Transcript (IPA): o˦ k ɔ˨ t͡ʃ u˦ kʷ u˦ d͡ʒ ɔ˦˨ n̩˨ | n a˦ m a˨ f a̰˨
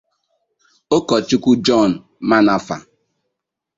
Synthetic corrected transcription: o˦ k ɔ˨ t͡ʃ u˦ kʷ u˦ d͡ʒ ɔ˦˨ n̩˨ | m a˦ n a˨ f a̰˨